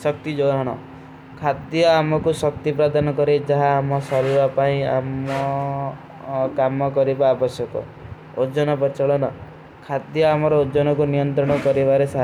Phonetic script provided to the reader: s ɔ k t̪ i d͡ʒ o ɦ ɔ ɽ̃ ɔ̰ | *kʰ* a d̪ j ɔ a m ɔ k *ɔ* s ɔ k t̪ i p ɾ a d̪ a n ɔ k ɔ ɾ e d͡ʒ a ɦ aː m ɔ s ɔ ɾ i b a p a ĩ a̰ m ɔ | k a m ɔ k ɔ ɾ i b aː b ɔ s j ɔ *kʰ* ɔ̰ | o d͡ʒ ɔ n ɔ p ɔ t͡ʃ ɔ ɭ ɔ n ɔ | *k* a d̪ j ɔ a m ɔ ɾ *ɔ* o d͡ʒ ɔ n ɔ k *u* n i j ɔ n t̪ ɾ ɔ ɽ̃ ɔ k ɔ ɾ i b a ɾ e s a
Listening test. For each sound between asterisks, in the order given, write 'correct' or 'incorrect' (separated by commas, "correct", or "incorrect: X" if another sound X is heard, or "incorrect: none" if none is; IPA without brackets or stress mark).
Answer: correct, incorrect: u, incorrect: k, incorrect: kʰ, correct, correct